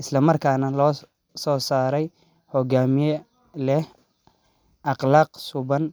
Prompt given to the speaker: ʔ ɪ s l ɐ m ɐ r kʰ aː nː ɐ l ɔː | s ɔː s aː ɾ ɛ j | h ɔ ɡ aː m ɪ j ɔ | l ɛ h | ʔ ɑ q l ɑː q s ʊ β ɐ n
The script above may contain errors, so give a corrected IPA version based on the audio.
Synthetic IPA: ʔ ɪ s l ɐ m ɐ r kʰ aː n ɐ l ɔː | s ɔː s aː ɾ ɛ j | h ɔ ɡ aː m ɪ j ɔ | l ɛ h | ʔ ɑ q l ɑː q s ʊ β ɐ n